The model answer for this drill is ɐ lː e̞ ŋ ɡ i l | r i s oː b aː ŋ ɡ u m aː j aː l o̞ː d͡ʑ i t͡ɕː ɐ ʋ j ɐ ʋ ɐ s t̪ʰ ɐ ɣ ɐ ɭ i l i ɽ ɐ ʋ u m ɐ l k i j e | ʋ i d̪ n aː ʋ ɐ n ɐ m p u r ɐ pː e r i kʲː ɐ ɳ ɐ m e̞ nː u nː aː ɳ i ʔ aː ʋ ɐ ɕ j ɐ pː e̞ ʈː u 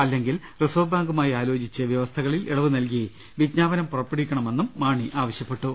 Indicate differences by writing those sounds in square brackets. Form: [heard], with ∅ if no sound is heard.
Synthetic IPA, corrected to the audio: ɐ lː e̞ ŋ ɡ i l | r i s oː b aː ŋ ɡ u m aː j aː l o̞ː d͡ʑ i t͡ɕː ɐ ʋ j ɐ ʋ ɐ s t̪ʰ ɐ ɣ ɐ ɭ i l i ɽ ɐ ʋ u [n] ɐ l k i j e | ʋ i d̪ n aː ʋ ɐ n ɐ m p u r ɐ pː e [ɽ] i kʲː ɐ ɳ ɐ m e̞ nː u [mː] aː ɳ i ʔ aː ʋ ɐ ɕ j ɐ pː e̞ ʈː u

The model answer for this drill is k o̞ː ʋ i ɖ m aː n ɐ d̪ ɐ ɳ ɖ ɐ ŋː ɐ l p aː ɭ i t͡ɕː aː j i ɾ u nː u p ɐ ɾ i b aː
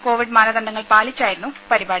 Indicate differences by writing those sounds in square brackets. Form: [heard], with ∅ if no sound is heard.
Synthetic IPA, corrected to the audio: k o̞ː ʋ i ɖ m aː n ɐ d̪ ɐ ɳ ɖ ɐ ŋː ɐ [ɭ] p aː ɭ i t͡ɕː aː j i ɾ u nː u p ɐ ɾ i b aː

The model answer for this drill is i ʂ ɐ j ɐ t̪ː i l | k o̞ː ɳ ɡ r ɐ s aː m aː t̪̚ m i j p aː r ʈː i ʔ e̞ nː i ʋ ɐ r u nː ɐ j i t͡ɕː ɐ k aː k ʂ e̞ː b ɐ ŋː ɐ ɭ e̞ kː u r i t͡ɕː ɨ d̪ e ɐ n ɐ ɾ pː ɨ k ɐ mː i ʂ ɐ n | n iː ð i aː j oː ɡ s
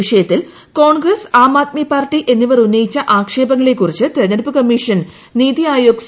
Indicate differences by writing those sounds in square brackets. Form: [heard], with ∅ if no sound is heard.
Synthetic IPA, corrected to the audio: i ʂ ɐ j ɐ t̪ː i l | k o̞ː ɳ ɡ r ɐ s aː m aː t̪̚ m i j p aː r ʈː i ʔ e̞ nː i ʋ ɐ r u nː ɐ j i t͡ɕː ɐ [ʔ] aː k ʂ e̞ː b ɐ ŋː ɐ ɭ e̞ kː u r i t͡ɕː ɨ [t̪] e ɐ n ɐ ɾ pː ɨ k ɐ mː i ʂ ɐ n | n iː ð i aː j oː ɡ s

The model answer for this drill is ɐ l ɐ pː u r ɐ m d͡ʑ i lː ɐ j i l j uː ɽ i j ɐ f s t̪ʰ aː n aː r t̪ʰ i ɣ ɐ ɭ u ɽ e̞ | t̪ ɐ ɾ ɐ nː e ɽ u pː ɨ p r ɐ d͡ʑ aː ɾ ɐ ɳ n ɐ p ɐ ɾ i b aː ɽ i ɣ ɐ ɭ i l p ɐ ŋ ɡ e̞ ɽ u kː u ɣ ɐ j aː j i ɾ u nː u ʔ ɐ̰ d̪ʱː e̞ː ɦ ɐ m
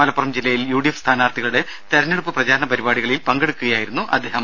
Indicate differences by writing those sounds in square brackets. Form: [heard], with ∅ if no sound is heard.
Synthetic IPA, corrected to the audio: ɐ l ɐ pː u r ɐ m d͡ʑ i lː ɐ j i l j uː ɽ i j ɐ f s t̪ʰ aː n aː r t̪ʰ i ɣ ɐ ɭ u ɽ e̞ | t̪ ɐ ɾ ɐ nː e ɽ u pː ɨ p r ɐ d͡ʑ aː ɾ ɐ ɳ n ɐ p ɐ ɾ i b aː ɽ i ɣ ɐ ɭ i l p ɐ ŋ ɡ e̞ ɽ u kː u ɣ ɐ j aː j i ɾ u nː u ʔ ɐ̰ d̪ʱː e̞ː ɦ ɐ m

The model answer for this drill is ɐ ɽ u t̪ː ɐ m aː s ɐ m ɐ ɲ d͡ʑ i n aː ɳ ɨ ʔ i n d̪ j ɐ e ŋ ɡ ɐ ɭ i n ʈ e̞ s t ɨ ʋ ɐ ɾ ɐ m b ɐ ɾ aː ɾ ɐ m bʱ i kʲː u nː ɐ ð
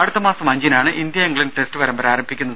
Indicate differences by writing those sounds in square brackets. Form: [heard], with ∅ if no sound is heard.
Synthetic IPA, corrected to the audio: ɐ ɽ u t̪ː ɐ m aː s ɐ m ɐ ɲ d͡ʑ i n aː ɳ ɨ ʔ i n d̪ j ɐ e ŋ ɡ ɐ ɭ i n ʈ e̞ s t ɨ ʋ ɐ ɾ ɐ m b ɐ ɾ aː ɾ ɐ m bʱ i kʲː u nː ɐ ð

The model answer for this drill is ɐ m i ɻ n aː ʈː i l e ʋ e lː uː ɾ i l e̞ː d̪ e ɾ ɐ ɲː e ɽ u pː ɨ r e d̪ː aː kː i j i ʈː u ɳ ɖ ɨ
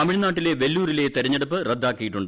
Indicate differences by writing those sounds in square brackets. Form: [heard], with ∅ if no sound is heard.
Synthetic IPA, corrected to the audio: ɐ m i ɻ n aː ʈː i l e ʋ e lː uː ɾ i l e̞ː [t̪] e ɾ ɐ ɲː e ɽ u pː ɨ r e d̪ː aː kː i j i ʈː u ɳ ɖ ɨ

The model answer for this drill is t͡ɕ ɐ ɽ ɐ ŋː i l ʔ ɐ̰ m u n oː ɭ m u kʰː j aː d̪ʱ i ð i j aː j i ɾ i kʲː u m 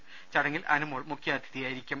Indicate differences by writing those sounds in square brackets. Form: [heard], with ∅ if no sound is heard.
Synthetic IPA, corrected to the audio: t͡ɕ ɐ ɽ ɐ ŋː i l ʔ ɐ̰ [n] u [m] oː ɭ m u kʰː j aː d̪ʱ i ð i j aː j i ɾ i kʲː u m

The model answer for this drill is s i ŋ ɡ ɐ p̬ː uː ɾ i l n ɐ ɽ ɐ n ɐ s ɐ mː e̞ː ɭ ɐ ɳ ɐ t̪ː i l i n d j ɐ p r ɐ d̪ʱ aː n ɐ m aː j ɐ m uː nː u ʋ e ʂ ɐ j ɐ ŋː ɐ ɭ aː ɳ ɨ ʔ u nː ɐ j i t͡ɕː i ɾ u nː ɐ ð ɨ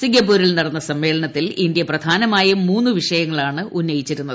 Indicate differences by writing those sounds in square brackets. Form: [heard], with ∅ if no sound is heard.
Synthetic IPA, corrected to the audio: s i ŋ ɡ ɐ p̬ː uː ɾ i l n ɐ ɽ ɐ [nː] ɐ s ɐ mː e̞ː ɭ ɐ ɳ ɐ t̪ː i l i n d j ɐ p r ɐ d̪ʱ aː n ɐ m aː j ɐ m uː nː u ʋ [i] ʂ ɐ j ɐ ŋː ɐ ɭ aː ɳ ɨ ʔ u nː ɐ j i t͡ɕː i ɾ u nː ɐ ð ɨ

